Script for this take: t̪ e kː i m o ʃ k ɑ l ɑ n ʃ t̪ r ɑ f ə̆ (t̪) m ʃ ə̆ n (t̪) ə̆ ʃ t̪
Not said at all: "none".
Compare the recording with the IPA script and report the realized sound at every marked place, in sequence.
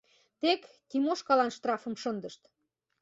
none, d̪

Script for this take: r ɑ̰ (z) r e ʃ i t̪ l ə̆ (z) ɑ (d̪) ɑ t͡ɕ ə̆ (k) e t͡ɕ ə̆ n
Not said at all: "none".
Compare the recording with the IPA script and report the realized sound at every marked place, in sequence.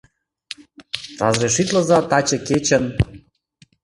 z, z, t̪, k

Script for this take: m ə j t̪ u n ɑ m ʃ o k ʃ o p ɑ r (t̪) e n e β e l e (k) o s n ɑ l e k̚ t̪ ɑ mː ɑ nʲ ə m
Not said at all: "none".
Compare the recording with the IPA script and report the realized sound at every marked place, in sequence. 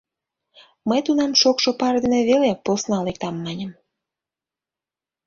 d̪, p

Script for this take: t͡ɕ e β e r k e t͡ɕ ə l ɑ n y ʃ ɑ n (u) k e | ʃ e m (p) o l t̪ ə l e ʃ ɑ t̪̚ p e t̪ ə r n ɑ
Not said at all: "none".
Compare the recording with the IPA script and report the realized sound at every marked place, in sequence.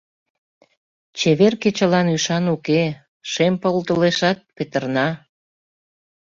u, p

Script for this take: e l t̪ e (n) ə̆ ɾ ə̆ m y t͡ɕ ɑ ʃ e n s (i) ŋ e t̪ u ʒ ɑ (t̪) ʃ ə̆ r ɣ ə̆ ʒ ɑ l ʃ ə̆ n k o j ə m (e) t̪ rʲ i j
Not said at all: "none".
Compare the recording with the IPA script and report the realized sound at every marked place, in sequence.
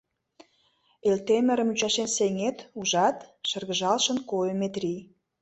m, e, t̪, e

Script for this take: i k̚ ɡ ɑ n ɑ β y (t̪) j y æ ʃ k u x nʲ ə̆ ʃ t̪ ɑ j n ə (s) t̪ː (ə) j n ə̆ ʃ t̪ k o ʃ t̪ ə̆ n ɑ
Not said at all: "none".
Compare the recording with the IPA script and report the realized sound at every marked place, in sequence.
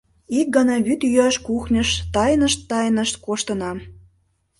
t̪, ʃ, ɑ

